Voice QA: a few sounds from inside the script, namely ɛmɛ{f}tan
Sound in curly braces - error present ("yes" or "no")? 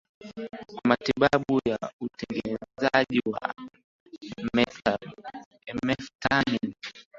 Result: no